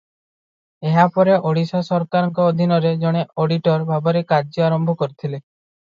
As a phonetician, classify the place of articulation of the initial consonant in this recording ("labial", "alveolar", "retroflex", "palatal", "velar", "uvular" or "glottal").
glottal